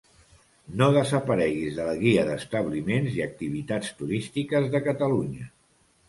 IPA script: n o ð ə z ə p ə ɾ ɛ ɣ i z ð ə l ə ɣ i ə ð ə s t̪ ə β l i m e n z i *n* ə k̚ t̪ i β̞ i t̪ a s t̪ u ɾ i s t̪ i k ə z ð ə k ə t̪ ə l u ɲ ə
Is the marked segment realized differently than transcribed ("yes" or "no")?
yes